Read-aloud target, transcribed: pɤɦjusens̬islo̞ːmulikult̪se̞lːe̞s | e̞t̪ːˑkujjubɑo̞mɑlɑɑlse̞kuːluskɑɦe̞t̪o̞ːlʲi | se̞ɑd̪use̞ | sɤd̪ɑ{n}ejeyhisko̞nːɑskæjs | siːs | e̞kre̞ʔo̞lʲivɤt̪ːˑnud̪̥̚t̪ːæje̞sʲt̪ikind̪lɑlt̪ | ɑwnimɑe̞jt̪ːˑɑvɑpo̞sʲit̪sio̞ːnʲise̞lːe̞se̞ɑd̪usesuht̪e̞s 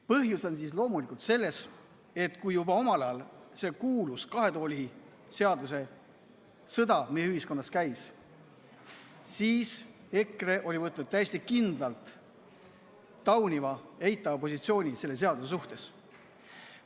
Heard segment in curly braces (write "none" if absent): m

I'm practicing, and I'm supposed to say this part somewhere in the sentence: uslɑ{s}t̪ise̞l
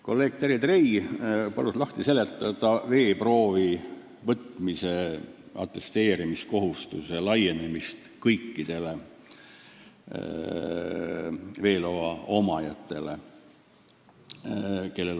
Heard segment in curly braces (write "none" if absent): h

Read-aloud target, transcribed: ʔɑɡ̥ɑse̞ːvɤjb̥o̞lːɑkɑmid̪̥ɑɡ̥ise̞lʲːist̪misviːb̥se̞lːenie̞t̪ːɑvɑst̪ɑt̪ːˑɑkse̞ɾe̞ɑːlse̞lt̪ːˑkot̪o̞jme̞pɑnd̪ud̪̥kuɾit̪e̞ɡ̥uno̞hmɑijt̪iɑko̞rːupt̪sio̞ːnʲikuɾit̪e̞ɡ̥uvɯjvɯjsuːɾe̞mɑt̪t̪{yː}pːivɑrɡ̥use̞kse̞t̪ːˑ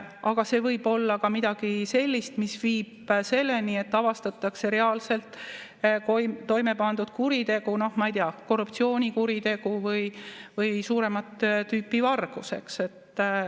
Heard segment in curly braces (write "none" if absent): yː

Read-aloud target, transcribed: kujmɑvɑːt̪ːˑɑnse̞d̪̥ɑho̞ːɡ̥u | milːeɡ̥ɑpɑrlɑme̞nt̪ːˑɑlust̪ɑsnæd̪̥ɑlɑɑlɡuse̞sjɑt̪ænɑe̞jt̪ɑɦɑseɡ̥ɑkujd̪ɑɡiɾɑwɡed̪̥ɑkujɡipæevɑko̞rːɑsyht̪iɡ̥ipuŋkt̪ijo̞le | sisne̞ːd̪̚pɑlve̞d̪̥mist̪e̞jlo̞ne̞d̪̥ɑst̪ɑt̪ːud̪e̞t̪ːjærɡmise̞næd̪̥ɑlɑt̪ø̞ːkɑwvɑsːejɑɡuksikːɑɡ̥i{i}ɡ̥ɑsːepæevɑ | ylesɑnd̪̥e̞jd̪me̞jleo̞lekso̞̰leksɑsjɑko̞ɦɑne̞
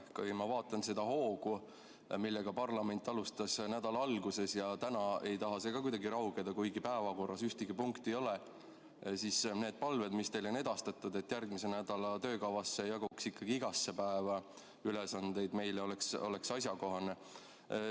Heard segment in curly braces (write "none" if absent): i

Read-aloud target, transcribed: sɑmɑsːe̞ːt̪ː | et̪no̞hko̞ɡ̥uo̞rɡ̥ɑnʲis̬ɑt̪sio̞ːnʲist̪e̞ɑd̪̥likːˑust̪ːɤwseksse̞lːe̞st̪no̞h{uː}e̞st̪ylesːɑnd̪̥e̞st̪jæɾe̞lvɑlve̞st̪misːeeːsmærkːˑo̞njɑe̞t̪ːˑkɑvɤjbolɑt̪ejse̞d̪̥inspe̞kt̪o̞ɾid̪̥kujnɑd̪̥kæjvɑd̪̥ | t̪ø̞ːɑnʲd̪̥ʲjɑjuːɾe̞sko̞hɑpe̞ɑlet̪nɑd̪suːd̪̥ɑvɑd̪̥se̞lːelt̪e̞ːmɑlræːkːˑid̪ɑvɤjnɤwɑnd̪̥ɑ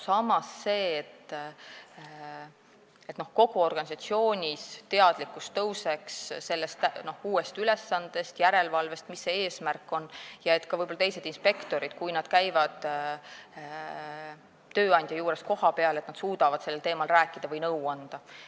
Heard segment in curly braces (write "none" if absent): uː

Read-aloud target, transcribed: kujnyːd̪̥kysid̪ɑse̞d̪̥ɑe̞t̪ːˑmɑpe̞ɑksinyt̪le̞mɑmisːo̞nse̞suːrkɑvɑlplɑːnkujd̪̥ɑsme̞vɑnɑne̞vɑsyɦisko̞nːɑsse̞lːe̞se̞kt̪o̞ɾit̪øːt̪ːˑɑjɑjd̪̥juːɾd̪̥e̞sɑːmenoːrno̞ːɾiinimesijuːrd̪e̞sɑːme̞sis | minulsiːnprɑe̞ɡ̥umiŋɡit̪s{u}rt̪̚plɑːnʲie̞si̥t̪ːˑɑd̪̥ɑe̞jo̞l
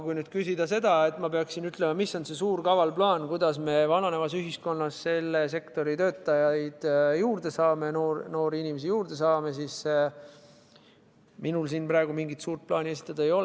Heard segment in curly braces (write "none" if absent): uː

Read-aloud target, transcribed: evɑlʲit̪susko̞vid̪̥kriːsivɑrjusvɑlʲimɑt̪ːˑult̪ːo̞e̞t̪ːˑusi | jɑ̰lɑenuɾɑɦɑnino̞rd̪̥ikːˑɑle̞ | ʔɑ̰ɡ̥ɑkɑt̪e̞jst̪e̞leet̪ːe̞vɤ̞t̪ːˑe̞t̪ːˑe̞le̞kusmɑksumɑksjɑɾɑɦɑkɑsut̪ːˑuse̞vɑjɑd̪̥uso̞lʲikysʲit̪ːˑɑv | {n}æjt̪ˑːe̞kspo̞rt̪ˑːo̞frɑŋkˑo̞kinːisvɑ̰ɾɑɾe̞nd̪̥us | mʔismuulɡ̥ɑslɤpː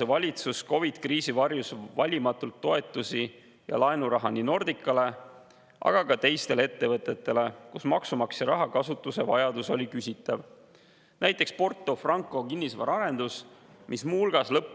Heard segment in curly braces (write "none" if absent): n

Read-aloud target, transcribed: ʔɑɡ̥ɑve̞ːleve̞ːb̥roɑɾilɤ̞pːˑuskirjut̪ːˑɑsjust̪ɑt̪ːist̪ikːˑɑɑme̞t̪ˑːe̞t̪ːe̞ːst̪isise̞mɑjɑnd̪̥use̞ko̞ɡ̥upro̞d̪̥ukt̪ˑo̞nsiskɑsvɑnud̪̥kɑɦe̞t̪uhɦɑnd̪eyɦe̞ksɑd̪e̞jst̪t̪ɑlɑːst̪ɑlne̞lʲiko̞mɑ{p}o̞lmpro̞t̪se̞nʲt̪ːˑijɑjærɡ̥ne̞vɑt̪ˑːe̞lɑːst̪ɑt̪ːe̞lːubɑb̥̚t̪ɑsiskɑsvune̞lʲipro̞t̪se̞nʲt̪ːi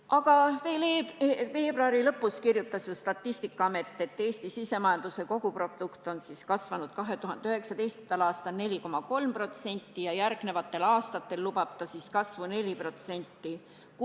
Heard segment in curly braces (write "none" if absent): k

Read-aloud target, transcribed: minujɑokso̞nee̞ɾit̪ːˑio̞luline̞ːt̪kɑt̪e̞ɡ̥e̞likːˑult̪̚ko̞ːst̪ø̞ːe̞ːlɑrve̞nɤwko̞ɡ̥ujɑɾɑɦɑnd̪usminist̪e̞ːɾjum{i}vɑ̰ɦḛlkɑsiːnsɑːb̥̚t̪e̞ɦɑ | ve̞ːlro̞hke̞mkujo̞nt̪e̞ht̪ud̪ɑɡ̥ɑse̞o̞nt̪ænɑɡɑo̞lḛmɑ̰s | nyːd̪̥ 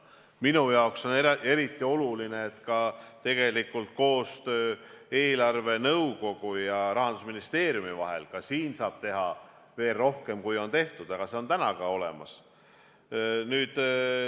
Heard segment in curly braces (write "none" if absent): i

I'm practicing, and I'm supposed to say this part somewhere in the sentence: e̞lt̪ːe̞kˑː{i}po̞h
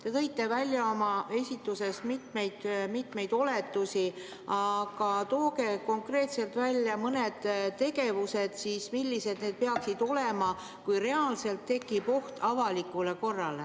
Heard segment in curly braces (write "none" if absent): i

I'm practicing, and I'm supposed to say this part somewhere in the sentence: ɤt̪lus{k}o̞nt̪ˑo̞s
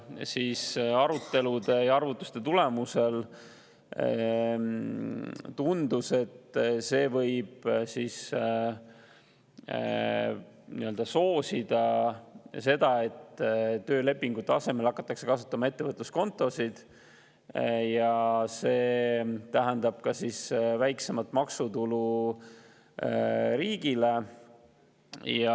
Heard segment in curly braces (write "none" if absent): k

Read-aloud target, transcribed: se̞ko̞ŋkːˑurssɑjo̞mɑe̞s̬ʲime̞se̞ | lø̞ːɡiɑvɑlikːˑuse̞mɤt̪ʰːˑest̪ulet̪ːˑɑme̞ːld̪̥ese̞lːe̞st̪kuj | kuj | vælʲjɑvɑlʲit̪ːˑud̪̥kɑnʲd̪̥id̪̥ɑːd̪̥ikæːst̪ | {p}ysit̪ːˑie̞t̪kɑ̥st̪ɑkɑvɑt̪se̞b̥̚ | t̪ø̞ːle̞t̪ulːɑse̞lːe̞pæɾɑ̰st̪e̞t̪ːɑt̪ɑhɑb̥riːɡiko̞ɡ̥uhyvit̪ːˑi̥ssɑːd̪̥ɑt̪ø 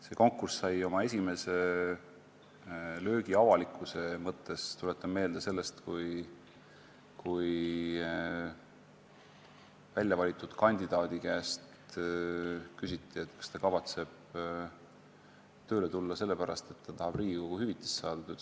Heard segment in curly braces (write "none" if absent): k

